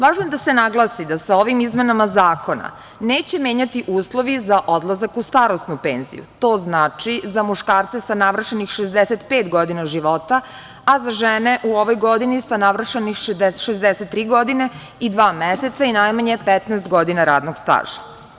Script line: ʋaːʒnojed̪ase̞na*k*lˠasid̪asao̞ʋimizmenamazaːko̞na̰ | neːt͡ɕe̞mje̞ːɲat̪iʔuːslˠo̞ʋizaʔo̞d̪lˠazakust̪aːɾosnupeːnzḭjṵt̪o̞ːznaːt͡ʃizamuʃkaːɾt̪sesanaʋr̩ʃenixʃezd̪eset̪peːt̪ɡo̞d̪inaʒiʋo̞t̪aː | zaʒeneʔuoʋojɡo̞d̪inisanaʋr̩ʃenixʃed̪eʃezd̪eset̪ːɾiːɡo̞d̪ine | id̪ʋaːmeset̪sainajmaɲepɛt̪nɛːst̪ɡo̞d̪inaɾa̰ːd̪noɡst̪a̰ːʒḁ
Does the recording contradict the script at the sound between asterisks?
yes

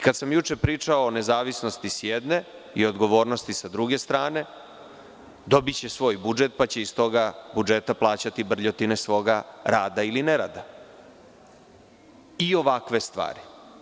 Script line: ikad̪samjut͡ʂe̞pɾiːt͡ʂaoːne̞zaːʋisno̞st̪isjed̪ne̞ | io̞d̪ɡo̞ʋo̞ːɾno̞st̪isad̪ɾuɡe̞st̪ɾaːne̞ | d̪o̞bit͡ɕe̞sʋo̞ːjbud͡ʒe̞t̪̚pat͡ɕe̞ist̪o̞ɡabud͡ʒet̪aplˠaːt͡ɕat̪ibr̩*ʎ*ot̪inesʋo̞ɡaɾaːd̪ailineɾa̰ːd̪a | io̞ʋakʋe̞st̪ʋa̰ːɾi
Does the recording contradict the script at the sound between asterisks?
no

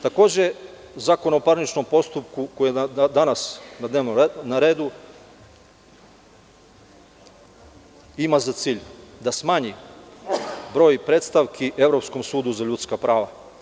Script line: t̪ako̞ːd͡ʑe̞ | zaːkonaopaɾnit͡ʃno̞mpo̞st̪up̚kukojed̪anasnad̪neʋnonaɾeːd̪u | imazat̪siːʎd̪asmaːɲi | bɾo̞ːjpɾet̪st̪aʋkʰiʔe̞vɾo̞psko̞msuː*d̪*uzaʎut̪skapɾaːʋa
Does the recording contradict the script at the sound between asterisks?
no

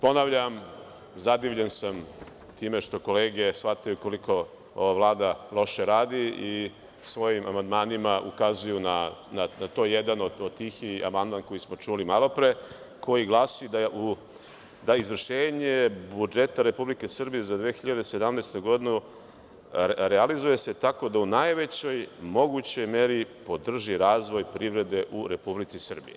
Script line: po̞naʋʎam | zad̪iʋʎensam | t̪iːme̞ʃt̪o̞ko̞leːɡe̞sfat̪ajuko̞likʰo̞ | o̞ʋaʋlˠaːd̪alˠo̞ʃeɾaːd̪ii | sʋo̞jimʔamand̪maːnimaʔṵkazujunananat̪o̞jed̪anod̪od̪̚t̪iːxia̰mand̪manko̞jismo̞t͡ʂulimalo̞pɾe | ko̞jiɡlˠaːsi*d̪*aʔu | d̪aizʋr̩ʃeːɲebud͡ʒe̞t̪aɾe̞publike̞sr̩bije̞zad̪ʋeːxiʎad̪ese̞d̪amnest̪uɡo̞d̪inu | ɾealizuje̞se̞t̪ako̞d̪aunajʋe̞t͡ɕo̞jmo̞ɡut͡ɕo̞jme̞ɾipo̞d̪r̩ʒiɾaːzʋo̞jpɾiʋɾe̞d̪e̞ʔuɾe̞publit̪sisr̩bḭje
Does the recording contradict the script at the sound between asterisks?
no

